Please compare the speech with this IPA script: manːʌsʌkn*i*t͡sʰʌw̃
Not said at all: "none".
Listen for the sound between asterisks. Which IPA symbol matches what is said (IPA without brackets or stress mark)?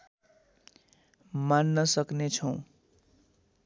e